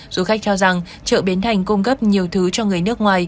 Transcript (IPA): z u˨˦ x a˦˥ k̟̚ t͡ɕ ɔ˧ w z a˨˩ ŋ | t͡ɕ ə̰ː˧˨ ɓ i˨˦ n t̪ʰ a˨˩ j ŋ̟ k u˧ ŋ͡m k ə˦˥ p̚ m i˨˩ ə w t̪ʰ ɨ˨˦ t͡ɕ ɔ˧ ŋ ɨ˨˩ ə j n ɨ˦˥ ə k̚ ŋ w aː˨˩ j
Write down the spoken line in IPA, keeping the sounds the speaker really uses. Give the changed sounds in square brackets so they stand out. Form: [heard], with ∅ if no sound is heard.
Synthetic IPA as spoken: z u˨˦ x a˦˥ k̟̚ t͡ɕ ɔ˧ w z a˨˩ ŋ | t͡ɕ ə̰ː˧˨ ɓ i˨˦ n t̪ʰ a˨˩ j ŋ̟ k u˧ ŋ͡m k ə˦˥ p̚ [ɲ] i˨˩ ə w t̪ʰ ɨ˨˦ t͡ɕ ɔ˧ ŋ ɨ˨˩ ə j n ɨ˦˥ ə k̚ ŋ w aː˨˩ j